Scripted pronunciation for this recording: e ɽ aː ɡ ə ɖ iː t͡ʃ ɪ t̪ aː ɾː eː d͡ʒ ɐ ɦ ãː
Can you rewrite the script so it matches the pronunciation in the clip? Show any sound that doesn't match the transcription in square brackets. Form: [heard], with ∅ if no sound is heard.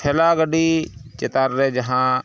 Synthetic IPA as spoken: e [l] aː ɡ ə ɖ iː t͡ʃ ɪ t̪ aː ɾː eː d͡ʒ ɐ ɦ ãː